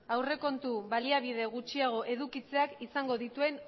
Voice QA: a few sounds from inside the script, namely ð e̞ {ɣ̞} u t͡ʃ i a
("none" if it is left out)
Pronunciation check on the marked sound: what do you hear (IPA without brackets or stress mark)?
ɣ̞